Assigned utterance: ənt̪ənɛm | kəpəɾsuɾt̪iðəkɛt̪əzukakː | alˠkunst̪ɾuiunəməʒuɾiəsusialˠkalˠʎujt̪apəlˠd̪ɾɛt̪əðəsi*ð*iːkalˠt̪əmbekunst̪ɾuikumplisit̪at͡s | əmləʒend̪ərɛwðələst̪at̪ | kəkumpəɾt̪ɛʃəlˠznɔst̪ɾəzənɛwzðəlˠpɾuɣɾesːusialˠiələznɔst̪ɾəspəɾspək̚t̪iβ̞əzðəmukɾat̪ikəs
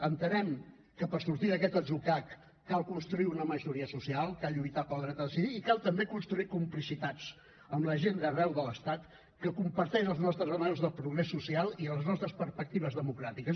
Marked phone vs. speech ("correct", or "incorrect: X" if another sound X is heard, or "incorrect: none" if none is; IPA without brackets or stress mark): correct